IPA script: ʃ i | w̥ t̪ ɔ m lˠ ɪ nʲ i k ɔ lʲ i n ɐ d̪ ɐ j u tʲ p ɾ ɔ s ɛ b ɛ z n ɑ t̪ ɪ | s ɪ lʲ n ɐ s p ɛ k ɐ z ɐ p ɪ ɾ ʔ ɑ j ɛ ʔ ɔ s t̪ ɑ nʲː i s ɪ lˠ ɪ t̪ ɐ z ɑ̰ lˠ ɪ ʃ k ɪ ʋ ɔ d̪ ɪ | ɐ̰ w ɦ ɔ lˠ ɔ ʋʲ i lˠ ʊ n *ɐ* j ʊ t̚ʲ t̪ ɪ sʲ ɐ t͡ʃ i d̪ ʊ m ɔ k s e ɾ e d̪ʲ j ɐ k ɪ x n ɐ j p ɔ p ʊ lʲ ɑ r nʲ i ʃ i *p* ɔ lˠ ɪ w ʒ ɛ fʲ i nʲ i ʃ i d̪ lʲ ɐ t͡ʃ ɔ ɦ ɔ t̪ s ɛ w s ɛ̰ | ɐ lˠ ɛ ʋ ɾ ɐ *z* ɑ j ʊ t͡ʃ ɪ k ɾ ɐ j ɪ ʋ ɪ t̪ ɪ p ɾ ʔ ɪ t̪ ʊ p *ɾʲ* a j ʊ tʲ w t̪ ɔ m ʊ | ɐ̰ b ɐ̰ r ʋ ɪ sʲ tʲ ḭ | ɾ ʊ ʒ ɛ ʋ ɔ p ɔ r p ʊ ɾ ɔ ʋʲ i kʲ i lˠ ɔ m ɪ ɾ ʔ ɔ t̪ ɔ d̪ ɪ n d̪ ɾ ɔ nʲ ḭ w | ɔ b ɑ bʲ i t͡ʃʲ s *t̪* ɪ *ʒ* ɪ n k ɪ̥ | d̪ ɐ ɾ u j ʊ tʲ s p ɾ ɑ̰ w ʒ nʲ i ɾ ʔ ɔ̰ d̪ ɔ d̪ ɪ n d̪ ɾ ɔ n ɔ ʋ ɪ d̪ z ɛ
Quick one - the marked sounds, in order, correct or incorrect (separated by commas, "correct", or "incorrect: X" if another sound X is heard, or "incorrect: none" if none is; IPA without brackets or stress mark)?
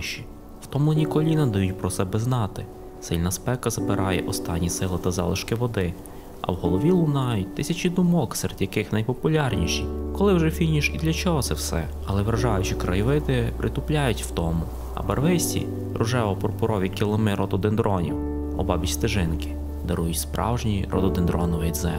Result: incorrect: ɑ, incorrect: k, incorrect: ʒ, incorrect: lʲ, correct, correct